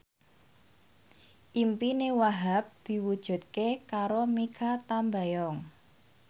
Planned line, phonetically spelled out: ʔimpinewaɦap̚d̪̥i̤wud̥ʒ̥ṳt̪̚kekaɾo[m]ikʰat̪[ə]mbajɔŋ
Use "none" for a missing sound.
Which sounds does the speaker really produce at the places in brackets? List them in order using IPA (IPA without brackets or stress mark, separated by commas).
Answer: m, a